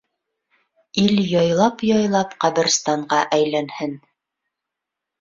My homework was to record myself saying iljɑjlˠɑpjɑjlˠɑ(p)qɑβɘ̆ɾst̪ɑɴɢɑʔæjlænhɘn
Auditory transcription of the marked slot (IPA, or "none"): p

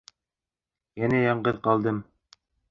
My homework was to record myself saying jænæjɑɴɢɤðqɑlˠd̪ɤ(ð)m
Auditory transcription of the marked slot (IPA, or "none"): none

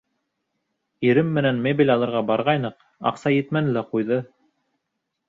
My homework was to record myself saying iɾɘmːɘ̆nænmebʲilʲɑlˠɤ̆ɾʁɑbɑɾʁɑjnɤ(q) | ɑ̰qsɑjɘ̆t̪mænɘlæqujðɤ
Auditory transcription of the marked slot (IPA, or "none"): q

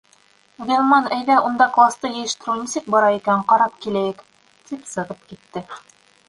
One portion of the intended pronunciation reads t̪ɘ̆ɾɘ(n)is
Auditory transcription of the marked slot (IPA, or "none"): n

